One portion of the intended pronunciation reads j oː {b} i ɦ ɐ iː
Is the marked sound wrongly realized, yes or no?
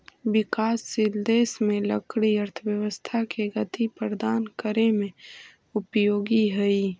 yes